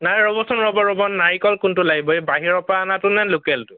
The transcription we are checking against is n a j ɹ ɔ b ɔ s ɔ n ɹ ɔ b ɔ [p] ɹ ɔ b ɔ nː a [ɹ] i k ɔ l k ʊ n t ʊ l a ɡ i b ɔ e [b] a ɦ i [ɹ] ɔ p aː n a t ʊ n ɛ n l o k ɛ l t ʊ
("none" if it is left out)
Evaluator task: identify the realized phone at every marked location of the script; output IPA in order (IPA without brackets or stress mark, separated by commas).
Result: none, ɹ, b, ɹ